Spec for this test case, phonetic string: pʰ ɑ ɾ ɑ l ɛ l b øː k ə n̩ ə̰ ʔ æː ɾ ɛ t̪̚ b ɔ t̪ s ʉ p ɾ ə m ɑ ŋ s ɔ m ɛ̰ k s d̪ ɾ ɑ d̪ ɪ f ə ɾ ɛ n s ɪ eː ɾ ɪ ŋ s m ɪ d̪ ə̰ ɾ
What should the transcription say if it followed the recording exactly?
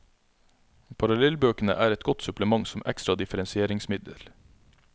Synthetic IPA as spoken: pʰ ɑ ɾ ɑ l ɛ l b øː k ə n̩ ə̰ ʔ æː ɾ ɛ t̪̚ ɡ ɔ t̪ s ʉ p l ə m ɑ ŋ s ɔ m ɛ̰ k s t̪ ɾ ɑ d̪ ɪ f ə ɾ ɛ n s ɪ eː ɾ ɪ ŋ s m ɪ d̪ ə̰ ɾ